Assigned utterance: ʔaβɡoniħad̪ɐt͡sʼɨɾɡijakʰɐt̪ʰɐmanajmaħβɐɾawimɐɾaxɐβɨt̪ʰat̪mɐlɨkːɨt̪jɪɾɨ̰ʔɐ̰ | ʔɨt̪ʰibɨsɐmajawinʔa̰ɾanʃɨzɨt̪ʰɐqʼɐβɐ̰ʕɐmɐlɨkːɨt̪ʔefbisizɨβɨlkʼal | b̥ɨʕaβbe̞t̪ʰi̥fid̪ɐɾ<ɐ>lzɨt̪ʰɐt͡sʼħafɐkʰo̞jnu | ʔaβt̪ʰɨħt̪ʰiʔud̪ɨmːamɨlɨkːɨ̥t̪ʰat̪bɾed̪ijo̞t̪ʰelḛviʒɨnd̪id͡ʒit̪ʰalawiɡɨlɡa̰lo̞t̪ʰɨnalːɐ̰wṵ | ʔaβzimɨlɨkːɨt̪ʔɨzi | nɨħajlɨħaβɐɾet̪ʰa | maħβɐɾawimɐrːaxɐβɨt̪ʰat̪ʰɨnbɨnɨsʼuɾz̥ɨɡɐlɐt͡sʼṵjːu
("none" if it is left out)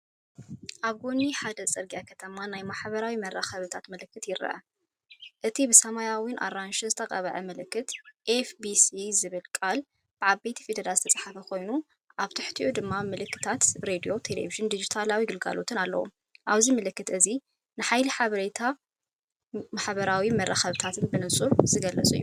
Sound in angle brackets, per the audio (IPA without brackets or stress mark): a